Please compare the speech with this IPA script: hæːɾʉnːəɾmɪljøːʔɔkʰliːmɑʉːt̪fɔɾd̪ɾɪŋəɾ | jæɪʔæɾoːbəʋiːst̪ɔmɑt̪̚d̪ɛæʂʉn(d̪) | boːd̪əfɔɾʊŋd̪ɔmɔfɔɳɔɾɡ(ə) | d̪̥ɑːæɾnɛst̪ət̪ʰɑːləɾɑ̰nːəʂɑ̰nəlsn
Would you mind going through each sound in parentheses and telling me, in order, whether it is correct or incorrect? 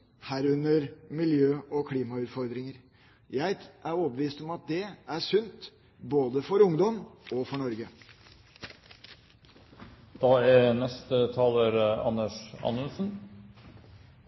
incorrect, correct

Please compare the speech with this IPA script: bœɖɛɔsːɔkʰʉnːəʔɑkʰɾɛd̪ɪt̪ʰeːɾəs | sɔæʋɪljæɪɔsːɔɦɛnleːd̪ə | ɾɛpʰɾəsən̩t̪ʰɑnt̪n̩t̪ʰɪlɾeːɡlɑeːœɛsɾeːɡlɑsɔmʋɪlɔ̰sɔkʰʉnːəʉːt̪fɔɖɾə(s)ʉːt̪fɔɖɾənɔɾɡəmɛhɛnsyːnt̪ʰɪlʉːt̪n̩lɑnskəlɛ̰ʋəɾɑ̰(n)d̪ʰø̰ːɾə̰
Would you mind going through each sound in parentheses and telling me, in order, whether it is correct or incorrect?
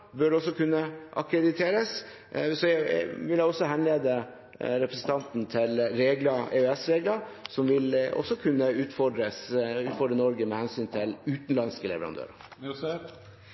correct, correct

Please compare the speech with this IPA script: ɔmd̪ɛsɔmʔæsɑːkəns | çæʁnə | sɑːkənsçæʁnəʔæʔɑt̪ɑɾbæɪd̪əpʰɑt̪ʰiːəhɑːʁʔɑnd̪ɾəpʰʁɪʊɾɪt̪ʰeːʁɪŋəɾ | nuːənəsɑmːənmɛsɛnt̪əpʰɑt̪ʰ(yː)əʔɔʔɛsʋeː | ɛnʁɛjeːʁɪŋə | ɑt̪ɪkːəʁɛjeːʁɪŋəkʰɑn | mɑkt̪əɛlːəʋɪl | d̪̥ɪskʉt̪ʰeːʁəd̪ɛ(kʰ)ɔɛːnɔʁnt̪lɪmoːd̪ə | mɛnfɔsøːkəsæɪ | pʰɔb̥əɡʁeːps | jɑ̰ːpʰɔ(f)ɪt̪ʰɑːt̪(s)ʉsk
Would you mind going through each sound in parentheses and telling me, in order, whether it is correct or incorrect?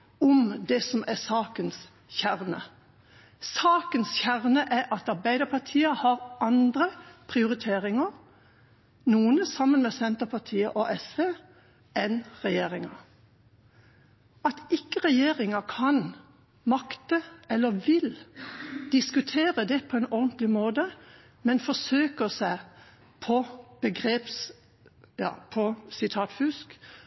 incorrect, incorrect, incorrect, incorrect

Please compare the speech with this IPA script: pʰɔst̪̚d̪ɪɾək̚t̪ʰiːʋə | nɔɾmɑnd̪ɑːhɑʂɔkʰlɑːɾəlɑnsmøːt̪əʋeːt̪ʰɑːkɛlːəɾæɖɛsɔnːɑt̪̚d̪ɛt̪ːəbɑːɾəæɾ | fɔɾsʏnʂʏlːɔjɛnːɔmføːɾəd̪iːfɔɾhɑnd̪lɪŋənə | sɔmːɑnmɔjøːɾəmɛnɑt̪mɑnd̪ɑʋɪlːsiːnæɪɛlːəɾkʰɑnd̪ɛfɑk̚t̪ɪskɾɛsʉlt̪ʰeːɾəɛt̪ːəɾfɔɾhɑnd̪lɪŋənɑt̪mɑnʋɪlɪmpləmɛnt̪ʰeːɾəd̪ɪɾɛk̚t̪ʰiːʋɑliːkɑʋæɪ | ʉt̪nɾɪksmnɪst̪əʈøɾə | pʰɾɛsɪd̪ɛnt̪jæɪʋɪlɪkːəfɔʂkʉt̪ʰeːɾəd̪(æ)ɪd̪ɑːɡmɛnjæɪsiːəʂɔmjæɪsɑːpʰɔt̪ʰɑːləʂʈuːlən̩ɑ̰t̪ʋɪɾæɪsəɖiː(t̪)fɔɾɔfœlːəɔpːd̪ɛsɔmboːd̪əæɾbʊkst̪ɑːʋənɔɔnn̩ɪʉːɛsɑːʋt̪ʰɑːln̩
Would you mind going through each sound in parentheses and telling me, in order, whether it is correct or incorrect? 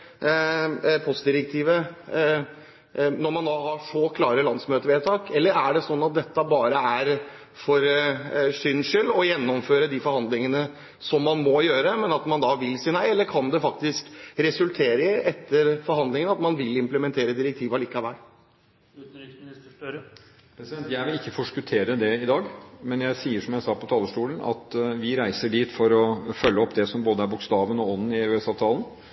incorrect, correct

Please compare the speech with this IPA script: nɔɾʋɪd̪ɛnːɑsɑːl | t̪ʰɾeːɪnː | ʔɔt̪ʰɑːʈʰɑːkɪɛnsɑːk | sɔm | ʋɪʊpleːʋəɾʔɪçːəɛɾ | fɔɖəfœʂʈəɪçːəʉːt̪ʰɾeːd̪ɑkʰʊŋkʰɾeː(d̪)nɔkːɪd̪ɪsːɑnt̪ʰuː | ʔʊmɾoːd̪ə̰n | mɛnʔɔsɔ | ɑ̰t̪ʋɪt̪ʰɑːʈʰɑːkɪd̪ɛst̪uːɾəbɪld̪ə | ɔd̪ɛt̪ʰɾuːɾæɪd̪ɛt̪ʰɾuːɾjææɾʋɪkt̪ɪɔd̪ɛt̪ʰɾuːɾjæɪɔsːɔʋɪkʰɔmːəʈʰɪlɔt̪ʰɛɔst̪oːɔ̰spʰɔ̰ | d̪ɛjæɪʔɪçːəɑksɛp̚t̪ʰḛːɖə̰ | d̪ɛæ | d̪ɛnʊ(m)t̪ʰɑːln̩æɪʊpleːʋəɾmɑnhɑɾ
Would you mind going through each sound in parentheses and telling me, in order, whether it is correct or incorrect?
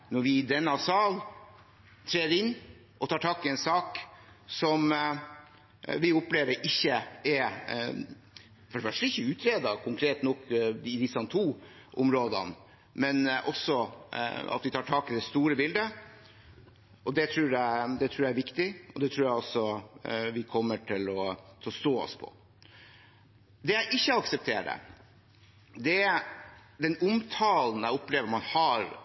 incorrect, correct

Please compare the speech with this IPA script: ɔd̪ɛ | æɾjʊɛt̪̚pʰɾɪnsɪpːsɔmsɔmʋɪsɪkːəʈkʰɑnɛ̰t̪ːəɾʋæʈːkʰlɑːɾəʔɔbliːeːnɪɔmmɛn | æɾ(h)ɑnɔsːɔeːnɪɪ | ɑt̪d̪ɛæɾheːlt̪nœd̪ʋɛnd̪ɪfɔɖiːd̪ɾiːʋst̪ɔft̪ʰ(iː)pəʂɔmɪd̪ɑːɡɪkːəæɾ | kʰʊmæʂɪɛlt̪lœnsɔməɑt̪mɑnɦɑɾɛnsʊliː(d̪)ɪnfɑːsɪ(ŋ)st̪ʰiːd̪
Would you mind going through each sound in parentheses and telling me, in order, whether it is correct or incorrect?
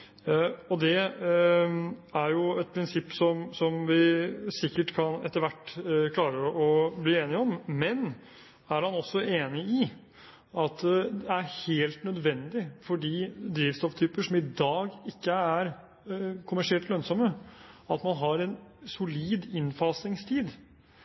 correct, incorrect, correct, correct

